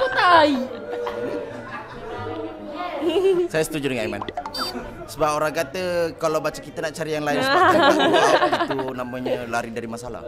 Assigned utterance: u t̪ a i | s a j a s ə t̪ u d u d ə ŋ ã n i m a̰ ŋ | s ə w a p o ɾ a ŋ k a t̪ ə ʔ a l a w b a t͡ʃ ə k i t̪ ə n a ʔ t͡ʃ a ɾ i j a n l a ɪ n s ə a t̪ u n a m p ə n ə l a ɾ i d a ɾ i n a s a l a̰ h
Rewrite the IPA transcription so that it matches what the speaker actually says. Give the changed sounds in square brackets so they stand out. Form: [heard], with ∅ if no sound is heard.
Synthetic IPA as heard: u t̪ a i | s a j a s ə t̪ u [d͡ʒ] u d ə ŋ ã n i m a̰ [n] | s ə [b] a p o ɾ a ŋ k a t̪ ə [k] a l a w b a t͡ʃ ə k i t̪ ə n a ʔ t͡ʃ a ɾ i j a [ŋ] l a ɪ n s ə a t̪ u n a m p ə [ɲ] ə l a ɾ i d a ɾ i [m] a s a l a̰ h